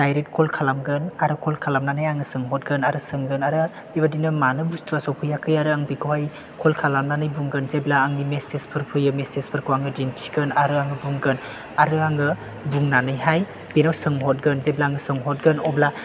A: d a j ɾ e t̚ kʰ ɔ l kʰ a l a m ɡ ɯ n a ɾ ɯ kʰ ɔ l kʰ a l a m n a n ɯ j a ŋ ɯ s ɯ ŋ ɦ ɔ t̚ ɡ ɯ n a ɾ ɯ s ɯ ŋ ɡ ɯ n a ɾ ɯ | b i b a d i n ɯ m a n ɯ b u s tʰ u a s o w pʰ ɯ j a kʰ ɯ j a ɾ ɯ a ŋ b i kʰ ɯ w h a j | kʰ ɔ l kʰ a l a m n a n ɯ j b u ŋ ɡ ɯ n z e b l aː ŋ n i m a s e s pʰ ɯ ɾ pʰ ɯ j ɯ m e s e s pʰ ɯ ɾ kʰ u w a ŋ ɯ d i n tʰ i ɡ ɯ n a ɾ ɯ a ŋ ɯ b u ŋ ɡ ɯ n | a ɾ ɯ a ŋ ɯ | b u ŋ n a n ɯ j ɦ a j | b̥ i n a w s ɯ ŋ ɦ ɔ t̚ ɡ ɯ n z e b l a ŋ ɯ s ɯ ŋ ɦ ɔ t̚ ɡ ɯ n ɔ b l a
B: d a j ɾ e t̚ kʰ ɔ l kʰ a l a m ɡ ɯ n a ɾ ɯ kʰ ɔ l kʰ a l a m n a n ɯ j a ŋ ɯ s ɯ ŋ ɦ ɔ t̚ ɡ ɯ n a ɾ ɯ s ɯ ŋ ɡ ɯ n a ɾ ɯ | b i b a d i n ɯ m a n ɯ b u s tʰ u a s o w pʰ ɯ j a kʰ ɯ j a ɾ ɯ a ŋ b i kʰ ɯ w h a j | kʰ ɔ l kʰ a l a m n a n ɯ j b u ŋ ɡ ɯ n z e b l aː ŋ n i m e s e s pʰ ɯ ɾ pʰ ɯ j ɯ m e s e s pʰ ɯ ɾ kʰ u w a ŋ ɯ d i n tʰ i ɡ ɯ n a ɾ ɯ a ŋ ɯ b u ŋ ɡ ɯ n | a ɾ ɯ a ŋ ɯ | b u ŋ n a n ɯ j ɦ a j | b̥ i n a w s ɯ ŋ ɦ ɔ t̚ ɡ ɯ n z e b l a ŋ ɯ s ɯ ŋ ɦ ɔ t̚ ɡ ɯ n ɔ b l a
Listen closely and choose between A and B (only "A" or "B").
B